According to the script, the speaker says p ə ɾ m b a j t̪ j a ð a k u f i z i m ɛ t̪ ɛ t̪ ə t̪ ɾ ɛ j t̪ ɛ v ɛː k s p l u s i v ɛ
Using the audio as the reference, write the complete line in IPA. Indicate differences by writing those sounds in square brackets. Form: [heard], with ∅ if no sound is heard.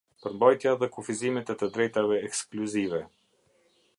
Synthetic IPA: p ə ɾ m b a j t̪ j a ð [ɛ] k u f i z i m ɛ t̪ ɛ t̪ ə [d̪] ɾ ɛ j t̪ [a] v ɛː k s [k] l u [z] i v ɛ